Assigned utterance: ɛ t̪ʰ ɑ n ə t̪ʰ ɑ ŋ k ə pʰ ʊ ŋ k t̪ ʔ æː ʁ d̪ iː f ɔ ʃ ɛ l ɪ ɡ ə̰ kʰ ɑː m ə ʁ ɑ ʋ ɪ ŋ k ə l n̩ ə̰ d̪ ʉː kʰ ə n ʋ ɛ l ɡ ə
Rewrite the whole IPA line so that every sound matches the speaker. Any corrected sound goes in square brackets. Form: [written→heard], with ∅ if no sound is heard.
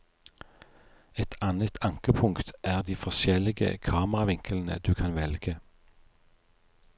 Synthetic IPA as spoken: ɛ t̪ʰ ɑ n ə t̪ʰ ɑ ŋ k ə pʰ ʊ ŋ k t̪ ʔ æː ʁ d̪ iː f ɔ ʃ ɛ l ɪ ɡ ə̰ kʰ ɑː m ə ʁ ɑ ʋ ɪ ŋ k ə l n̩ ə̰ d̪ ʉː kʰ [ə→ɑ] n ʋ ɛ l ɡ ə